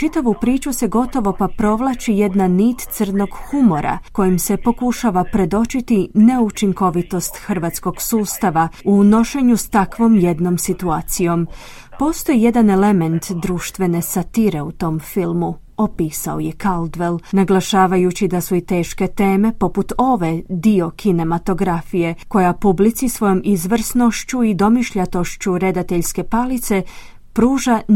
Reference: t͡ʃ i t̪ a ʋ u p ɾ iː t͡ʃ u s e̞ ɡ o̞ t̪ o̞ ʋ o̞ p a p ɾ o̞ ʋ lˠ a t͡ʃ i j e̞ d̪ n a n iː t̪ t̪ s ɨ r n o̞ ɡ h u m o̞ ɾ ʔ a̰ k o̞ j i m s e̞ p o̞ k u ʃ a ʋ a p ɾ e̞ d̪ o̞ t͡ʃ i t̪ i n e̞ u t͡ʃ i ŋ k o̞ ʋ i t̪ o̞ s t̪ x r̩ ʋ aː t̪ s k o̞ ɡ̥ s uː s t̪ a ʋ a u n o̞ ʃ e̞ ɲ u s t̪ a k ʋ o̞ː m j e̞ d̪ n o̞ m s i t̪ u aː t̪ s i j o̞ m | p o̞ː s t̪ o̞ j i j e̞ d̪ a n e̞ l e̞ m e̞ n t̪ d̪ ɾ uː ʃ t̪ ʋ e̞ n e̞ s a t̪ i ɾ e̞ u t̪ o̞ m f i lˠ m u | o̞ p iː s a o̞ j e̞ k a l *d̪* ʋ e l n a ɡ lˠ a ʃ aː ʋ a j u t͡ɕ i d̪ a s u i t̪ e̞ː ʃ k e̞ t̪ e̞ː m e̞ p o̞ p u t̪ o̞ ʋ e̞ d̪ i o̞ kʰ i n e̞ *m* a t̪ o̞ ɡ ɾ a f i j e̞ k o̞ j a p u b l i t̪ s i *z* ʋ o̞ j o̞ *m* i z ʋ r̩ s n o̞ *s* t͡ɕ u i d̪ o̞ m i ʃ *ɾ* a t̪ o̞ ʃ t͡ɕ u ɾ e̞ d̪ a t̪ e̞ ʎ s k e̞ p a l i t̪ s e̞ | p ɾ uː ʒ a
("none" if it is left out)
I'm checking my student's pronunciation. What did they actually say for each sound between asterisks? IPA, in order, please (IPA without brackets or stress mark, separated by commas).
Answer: d̪, m, s, m, ʃ, ʎ